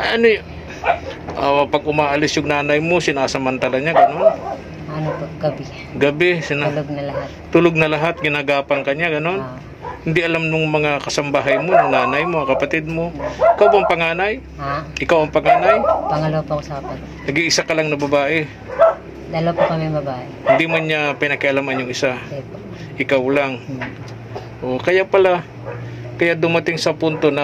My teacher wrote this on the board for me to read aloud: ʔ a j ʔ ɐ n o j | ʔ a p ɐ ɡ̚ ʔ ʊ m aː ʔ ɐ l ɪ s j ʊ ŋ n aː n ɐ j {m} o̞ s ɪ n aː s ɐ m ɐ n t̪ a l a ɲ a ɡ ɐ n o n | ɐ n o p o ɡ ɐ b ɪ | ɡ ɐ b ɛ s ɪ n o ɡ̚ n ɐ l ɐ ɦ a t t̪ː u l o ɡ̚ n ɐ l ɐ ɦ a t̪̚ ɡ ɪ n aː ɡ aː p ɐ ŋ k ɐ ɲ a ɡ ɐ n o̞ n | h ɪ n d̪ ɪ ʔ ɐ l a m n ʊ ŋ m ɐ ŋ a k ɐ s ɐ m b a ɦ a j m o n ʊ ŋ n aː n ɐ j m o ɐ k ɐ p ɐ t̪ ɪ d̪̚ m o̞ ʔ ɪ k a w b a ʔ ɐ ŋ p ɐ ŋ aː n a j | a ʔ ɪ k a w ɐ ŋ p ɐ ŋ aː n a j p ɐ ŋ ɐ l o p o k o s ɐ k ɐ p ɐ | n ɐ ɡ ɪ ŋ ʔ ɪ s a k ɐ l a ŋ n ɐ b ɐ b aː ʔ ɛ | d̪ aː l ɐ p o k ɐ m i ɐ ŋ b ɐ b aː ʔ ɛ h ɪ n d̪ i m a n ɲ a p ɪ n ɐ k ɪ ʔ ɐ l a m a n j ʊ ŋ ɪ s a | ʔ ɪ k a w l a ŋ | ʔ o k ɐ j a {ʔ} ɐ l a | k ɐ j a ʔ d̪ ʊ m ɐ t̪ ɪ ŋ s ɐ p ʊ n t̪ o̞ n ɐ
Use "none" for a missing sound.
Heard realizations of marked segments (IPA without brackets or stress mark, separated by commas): m, p